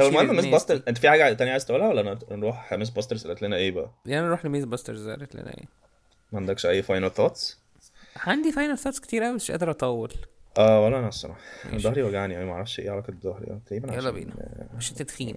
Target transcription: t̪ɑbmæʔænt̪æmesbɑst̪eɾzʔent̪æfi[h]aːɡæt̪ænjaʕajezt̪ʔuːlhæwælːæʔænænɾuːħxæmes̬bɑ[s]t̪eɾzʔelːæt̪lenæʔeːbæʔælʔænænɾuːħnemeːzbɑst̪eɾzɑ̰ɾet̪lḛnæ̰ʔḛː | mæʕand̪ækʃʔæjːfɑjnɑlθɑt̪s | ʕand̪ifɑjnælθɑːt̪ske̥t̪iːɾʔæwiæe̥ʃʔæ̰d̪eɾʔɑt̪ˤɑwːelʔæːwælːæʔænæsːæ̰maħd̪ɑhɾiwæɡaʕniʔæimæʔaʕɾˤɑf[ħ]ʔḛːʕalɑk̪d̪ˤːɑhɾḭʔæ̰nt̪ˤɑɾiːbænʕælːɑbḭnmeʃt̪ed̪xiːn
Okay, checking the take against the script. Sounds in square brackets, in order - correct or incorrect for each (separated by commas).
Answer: incorrect, correct, incorrect